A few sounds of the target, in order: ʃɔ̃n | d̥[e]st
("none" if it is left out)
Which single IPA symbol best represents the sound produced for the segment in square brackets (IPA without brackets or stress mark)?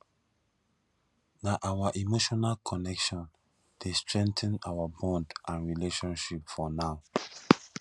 e